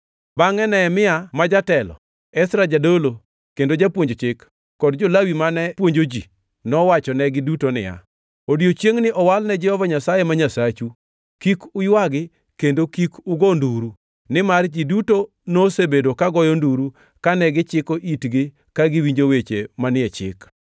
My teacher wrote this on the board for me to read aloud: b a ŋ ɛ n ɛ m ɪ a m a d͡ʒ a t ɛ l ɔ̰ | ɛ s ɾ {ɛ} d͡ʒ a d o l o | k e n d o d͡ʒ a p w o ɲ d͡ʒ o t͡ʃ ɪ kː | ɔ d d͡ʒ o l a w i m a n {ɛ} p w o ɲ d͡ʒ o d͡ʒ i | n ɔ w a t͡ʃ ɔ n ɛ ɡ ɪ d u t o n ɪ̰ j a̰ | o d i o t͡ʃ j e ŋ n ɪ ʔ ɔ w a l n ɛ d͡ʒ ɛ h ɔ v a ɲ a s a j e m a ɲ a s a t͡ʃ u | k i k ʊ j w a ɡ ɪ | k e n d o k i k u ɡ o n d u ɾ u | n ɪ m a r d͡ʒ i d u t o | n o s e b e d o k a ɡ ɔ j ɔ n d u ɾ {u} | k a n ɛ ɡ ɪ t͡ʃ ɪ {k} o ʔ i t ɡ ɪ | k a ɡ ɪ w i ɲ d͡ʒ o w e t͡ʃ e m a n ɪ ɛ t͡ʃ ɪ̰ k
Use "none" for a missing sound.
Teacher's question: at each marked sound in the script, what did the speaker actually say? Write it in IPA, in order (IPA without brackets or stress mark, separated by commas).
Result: a, ɛ, u, k